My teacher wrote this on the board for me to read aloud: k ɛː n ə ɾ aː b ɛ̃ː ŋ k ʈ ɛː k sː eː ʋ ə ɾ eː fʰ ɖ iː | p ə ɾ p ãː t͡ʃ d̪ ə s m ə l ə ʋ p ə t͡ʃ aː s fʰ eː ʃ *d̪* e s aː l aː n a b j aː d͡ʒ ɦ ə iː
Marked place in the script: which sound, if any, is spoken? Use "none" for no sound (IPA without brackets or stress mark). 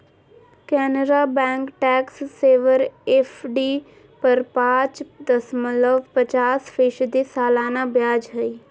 d̪